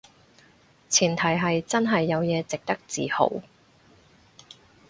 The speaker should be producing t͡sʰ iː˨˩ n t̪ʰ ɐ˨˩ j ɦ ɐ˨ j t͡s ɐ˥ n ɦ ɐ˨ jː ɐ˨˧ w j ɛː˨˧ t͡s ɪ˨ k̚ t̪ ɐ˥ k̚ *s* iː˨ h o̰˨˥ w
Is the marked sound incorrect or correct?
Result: incorrect: t͡s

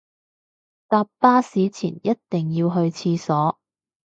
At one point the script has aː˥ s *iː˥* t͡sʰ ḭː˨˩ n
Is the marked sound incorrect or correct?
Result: incorrect: iː˨˥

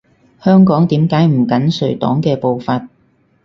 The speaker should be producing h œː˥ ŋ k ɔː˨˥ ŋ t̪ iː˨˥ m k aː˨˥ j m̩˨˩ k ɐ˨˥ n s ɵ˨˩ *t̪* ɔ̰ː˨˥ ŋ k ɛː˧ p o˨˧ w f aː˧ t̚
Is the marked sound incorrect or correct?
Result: correct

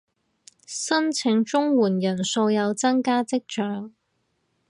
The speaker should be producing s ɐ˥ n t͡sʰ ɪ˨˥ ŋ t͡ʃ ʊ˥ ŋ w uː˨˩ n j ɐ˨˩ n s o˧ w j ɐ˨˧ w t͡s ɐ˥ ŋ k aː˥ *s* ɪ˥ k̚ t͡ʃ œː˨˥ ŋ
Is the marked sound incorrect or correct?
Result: incorrect: t͡s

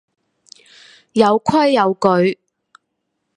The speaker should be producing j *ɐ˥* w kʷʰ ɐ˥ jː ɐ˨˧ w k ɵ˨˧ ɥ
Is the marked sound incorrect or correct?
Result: incorrect: ɐ˨˧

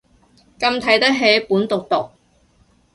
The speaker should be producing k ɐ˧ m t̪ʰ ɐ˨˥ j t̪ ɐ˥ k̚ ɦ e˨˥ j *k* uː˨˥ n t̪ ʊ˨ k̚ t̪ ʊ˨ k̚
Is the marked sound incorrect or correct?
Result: incorrect: p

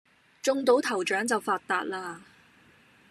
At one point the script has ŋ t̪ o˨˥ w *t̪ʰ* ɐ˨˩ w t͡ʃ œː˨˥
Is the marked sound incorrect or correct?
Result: correct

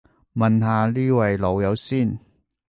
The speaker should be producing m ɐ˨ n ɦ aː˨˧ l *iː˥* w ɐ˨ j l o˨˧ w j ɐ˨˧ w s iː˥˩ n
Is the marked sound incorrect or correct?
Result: correct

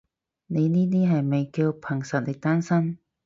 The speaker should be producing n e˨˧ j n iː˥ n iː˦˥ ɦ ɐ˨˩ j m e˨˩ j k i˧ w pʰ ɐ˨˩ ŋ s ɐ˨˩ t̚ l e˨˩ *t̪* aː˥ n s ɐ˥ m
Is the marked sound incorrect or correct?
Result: correct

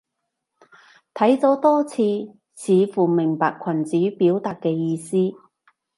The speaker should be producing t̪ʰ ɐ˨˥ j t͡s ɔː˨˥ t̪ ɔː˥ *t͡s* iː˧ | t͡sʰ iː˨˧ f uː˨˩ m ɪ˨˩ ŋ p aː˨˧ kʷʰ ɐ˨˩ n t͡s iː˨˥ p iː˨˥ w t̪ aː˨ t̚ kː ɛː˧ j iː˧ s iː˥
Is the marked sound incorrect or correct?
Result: incorrect: t͡sʰ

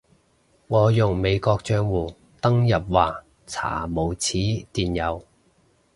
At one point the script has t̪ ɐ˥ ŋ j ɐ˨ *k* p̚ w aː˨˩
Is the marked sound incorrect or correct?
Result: incorrect: none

